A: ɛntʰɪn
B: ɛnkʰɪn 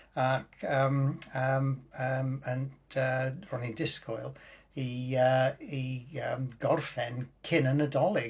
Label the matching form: B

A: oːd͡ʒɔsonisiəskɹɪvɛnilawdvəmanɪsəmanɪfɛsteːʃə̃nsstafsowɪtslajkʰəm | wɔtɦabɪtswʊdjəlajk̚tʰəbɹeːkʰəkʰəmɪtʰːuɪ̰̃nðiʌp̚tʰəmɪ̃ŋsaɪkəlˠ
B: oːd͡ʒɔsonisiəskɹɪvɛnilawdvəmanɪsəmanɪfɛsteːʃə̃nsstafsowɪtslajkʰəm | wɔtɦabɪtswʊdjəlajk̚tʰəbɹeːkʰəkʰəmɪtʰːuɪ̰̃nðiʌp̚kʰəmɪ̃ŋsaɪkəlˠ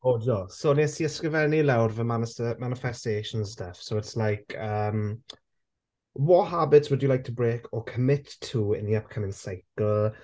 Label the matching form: B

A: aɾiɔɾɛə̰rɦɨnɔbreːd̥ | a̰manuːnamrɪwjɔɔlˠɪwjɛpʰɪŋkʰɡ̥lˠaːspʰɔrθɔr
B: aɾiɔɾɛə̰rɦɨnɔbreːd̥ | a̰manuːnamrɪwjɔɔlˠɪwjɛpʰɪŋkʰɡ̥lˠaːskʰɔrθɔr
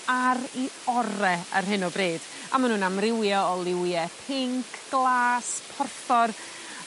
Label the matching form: A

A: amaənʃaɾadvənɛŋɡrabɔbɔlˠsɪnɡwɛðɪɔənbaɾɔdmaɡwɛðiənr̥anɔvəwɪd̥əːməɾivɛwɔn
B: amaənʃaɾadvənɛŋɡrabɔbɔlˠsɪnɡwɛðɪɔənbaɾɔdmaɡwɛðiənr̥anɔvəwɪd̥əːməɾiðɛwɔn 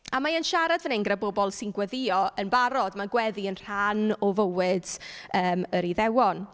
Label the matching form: B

